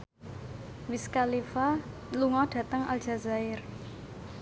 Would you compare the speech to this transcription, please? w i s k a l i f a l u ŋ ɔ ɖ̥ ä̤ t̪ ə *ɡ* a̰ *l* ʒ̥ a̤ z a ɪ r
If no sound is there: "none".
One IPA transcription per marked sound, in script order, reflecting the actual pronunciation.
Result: ŋ, l

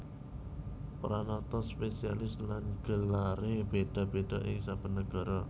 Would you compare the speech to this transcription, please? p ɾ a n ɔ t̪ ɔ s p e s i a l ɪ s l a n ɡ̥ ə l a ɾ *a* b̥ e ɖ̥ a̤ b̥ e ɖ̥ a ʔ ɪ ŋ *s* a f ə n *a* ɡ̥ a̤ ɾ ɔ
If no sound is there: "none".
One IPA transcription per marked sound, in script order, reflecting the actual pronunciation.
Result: e, s, ə

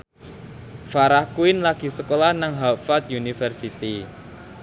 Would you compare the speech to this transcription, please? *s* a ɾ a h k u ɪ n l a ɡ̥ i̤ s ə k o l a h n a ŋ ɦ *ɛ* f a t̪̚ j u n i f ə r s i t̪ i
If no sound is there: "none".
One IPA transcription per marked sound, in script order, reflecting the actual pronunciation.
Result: f, a

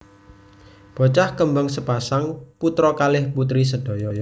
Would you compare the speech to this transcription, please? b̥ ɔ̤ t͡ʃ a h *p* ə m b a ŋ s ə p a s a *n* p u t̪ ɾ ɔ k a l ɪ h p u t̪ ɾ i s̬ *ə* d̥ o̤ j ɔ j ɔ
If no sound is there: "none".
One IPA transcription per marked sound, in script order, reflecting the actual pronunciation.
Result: k, ŋ, ə

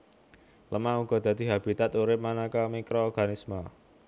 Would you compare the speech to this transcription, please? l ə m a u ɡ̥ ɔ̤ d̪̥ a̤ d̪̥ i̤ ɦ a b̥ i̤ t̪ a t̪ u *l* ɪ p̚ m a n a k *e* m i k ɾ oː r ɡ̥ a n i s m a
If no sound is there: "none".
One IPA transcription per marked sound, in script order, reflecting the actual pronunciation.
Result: ɾ, a

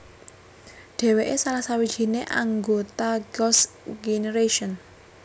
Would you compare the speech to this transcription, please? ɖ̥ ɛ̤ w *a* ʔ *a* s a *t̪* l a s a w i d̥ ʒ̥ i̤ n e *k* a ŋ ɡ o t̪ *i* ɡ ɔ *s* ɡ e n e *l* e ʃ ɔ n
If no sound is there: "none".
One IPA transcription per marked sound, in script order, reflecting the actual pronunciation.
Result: e, e, none, ʔ, a, s, ɾ

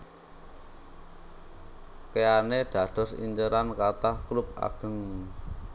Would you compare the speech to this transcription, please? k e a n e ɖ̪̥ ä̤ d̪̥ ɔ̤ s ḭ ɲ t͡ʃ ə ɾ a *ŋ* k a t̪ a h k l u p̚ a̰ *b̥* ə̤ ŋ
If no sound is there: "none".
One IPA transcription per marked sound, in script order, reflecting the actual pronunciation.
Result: n, ɡ̥

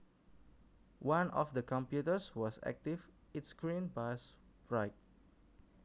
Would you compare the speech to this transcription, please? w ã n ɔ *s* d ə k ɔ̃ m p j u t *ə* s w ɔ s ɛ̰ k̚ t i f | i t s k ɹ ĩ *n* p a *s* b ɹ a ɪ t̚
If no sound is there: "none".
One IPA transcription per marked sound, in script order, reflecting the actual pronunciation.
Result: f, ə, n, s

